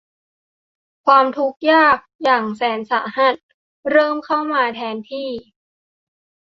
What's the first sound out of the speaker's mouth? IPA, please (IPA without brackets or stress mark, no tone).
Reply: kʰ